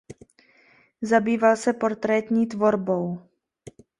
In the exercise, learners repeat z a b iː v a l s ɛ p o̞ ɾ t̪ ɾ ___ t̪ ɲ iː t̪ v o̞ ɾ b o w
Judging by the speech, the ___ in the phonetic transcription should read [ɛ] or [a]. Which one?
ɛ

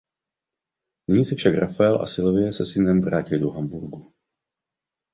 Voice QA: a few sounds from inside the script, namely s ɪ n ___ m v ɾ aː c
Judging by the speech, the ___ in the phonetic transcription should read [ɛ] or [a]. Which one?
ɛ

